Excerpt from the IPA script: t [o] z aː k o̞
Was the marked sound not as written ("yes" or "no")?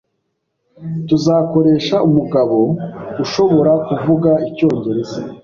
yes